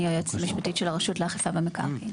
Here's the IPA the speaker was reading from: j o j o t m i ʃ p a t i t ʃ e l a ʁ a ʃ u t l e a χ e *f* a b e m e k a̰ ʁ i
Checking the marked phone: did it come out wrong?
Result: no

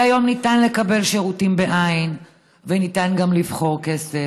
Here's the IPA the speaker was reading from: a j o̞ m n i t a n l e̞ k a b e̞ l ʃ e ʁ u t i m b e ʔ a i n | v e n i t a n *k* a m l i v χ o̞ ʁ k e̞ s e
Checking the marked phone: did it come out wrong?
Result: yes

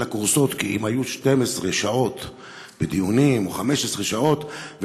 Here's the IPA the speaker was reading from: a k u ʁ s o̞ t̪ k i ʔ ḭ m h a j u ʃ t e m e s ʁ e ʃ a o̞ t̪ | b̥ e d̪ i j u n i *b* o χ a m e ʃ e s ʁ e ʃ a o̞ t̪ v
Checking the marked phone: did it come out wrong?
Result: yes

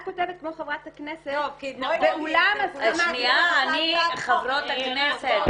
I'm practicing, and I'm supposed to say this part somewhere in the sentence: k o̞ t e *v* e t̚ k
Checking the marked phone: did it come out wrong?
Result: no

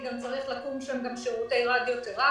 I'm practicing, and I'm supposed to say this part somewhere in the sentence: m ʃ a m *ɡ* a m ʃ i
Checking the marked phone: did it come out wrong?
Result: no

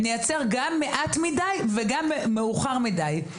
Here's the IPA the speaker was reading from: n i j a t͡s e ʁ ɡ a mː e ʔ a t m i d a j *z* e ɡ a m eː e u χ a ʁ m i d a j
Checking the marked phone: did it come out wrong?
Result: yes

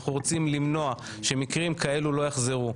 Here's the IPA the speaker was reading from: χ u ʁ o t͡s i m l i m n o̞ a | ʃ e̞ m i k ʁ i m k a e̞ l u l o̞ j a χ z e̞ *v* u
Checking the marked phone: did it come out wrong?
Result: yes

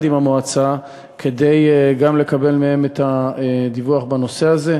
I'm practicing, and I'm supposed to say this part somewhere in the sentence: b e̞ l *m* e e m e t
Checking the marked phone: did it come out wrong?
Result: no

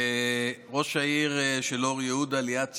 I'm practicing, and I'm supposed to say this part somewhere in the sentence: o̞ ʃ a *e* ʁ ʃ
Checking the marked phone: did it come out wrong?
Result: yes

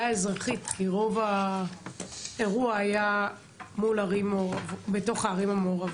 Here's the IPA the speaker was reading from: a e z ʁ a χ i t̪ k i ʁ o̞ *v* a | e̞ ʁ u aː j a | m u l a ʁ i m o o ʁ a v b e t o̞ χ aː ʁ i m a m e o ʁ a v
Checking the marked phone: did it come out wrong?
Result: no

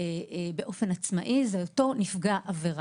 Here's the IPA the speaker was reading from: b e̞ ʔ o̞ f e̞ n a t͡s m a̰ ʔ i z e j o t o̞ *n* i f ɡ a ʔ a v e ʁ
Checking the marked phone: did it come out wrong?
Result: no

